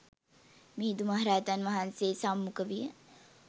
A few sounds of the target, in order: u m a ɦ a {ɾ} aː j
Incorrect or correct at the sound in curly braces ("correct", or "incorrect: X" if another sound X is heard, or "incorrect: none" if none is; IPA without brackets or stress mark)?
correct